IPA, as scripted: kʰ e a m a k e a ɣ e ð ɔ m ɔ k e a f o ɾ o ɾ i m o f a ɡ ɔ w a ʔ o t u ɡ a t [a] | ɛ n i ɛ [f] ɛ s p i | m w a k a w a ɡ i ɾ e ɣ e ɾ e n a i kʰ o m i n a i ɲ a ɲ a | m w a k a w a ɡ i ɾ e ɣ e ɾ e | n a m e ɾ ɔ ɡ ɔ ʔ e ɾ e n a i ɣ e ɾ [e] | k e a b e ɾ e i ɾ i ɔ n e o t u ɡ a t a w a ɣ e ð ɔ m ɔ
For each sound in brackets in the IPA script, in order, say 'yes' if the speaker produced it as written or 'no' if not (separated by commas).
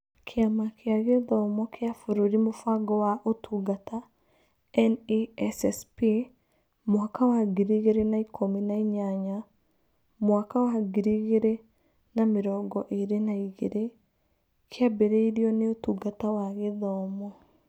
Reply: yes, no, yes